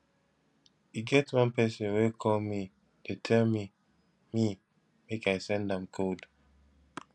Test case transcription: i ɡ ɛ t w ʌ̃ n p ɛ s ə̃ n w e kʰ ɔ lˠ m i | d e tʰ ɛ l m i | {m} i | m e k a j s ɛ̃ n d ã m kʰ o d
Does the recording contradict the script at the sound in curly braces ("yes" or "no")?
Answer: no